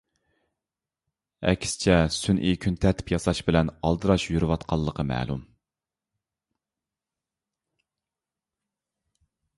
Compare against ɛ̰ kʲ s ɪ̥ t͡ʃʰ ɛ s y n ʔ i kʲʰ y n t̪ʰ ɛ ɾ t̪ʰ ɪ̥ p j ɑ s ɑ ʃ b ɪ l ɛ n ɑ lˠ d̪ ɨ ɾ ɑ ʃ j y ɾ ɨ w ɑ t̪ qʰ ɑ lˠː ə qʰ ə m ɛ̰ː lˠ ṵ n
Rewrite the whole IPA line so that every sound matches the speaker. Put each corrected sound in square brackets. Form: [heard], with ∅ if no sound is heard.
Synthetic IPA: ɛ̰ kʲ s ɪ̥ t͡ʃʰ ɛ s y n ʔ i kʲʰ y n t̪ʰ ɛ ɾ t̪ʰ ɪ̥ p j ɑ s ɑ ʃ b ɪ l ɛ n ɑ lˠ d̪ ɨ ɾ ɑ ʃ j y ɾ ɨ w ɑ t̪ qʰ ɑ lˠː ə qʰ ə m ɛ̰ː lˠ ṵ [m]